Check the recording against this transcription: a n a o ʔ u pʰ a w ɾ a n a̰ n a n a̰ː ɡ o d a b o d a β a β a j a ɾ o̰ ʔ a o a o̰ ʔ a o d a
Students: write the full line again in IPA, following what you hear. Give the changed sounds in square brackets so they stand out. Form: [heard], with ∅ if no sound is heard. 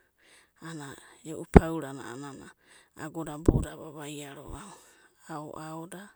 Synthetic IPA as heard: a n a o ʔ u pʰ a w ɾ a n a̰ n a n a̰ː ɡ o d a b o d a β a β a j a ɾ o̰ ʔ a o a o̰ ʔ a o d a